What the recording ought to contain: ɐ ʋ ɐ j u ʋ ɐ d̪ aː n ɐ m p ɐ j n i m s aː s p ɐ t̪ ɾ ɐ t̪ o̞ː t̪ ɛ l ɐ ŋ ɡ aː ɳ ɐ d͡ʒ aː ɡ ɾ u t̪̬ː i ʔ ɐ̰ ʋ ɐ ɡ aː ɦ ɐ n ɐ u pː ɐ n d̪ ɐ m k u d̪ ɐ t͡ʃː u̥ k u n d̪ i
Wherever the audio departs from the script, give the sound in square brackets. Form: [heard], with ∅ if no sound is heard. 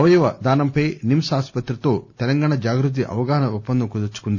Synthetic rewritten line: ɐ ʋ ɐ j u ʋ ɐ d̪ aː n ɐ m p ɐ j n i m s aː s p ɐ t̪ ɾ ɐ t̪ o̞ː t̪ ɛ l ɐ ŋ ɡ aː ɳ ɐ d͡ʒ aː ɡ ɾ u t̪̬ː i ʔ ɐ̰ ʋ ɐ ɡ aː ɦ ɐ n ɐ u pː ɐ n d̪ ɐ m k u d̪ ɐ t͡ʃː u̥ k u n d̪ i

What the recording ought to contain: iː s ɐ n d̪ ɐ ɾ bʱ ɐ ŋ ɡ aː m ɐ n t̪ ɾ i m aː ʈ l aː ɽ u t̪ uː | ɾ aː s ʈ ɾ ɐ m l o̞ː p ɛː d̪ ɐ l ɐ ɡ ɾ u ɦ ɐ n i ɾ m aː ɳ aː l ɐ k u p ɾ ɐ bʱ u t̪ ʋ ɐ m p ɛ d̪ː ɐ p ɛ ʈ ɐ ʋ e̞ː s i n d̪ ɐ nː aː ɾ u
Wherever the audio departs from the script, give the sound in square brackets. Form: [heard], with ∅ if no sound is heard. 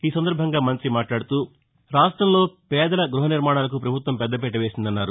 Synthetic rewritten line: iː s ɐ n d̪ ɐ ɾ bʱ ɐ ŋ ɡ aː m ɐ n t̪ ɾ i m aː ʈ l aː ɽ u t̪ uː | ɾ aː s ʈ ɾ ɐ m l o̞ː p ɛː d̪ ɐ l ɐ ɡ ɾ u ɦ ɐ n i ɾ m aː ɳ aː l ɐ k u p ɾ ɐ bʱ u t̪ ʋ ɐ m p ɛ d̪ː ɐ p ɛ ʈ ɐ ʋ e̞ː s i n d̪ ɐ nː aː ɾ u

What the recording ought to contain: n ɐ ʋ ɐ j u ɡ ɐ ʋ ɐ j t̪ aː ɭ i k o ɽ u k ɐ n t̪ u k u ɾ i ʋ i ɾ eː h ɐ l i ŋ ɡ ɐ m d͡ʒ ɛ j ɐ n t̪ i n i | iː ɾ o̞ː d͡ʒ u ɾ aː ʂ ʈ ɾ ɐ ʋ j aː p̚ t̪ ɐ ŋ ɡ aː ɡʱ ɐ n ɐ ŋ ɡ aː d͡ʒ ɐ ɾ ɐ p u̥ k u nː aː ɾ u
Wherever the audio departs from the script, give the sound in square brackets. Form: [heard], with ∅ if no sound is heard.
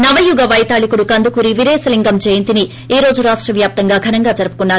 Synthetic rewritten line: n ɐ ʋ ɐ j u ɡ ɐ ʋ ɐ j t̪ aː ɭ i k [u] ɽ u k ɐ n [d̪] u k u ɾ i ʋ i ɾ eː [s] ɐ l i ŋ ɡ ɐ m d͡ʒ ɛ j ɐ n t̪ i n i | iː ɾ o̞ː d͡ʒ u ɾ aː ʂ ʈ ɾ ɐ ʋ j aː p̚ t̪ ɐ ŋ ɡ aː ɡʱ ɐ n ɐ ŋ ɡ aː d͡ʒ ɐ ɾ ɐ p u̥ k u nː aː ɾ u

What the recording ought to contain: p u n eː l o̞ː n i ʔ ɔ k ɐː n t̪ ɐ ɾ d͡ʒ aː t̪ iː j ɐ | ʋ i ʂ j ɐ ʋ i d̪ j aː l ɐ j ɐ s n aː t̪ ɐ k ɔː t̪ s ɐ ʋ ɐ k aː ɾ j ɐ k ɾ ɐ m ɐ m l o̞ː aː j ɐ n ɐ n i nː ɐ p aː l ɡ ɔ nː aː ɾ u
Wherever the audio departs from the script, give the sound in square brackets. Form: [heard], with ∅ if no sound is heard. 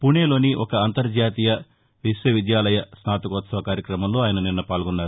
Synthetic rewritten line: p u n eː l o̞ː n i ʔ ɔ k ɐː n t̪ ɐ ɾ d͡ʒ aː t̪ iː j ɐ | ʋ i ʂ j ɐ ʋ i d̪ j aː l ɐ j ɐ s n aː t̪ ɐ k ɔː t̪ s ɐ ʋ ɐ k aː ɾ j ɐ k ɾ ɐ m ɐ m l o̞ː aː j ɐ n ɐ n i nː ɐ p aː l ɡ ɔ nː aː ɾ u

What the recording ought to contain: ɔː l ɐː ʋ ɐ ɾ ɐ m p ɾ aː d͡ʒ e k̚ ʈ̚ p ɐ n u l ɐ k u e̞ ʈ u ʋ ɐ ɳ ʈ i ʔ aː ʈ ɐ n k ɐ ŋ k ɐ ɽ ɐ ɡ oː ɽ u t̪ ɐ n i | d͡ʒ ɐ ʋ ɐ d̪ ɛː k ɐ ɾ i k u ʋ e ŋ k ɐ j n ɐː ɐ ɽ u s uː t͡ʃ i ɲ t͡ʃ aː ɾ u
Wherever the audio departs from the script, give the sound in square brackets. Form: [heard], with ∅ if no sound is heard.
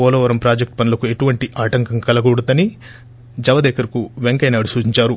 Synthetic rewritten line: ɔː l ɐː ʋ ɐ ɾ ɐ m p ɾ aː d͡ʒ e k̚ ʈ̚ p ɐ n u l ɐ k u e̞ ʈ u ʋ ɐ ɳ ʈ i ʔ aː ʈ ɐ [ŋ] k ɐ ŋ k ɐ [l] ɐ ɡ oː ɽ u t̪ ɐ n i | d͡ʒ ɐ ʋ ɐ d̪ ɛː k ɐ ɾ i k u ʋ e ŋ k ɐ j n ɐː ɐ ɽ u s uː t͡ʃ i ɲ t͡ʃ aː ɾ u

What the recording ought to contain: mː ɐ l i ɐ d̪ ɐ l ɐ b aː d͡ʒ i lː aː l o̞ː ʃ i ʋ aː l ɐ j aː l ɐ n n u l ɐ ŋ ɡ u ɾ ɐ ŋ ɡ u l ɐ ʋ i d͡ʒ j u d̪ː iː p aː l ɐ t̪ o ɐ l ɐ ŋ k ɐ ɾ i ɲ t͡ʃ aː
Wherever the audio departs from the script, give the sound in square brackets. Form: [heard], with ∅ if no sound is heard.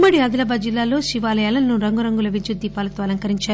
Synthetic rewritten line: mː ɐ [ɽ] i ɐ d̪ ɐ l ɐ b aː d͡ʒ i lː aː l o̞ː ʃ i ʋ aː l ɐ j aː l ɐ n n u [ɾ] ɐ ŋ ɡ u ɾ ɐ ŋ ɡ u l ɐ ʋ i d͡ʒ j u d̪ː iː p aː l ɐ t̪ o ɐ l ɐ ŋ k ɐ ɾ i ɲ t͡ʃ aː

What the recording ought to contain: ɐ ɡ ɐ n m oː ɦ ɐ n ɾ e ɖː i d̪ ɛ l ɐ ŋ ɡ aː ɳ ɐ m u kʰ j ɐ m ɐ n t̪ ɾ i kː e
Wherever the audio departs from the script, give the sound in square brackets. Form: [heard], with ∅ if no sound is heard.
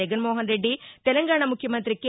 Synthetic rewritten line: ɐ ɡ ɐ n m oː ɦ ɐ n ɾ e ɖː i [t̪] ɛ l ɐ ŋ ɡ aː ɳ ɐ m u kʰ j ɐ m ɐ n t̪ ɾ i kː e

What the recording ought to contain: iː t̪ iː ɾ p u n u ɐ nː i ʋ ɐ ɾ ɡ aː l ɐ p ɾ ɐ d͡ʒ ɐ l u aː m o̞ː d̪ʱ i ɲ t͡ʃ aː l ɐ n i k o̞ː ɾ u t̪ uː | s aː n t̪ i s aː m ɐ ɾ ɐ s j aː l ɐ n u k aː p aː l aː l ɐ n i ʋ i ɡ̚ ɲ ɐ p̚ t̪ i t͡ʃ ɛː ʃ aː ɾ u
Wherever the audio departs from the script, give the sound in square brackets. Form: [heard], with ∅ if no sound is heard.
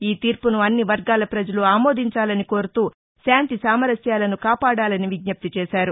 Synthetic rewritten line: iː t̪ iː ɾ p u n u ɐ nː i ʋ ɐ ɾ ɡ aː l ɐ p ɾ ɐ d͡ʒ ɐ l u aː m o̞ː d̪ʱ i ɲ t͡ʃ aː l ɐ n i k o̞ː ɾ u t̪ uː | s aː n t̪ i s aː m ɐ ɾ ɐ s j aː l ɐ n u k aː p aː [ɽ] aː l ɐ n i ʋ i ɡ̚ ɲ ɐ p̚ t̪ i t͡ʃ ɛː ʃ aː ɾ u

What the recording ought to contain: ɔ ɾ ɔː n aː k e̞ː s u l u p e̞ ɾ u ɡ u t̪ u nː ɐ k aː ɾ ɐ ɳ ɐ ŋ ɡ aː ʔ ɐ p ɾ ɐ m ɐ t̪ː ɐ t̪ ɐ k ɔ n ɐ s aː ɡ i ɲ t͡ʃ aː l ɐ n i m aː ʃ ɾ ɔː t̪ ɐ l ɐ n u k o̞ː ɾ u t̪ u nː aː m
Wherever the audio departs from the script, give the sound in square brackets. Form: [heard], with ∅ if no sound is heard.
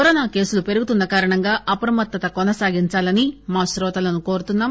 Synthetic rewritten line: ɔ ɾ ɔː n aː k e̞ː s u l u p e̞ ɾ u ɡ u t̪ u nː ɐ k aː ɾ ɐ ɳ ɐ ŋ ɡ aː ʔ ɐ p ɾ ɐ m ɐ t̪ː ɐ t̪ ɐ k ɔ n ɐ s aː ɡ i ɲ t͡ʃ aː l ɐ n i m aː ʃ ɾ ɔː t̪ ɐ l ɐ n u k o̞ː ɾ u t̪ u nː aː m

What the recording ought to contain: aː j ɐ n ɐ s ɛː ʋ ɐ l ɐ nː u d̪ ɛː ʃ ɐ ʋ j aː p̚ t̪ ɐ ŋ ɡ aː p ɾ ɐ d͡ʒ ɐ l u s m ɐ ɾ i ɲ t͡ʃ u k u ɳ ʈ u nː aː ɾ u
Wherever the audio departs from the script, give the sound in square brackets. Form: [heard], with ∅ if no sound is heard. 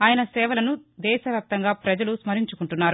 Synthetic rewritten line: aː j ɐ n ɐ s ɛː ʋ ɐ l ɐ [n] u d̪ ɛː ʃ ɐ ʋ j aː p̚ t̪ ɐ ŋ ɡ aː p ɾ ɐ d͡ʒ ɐ l u s m ɐ ɾ i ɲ t͡ʃ u k u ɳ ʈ u nː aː ɾ u

